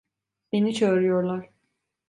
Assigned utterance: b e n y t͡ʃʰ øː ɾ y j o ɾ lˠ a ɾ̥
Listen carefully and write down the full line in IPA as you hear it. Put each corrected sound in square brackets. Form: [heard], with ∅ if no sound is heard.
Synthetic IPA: b e n [i] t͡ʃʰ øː ɾ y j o ɾ lˠ a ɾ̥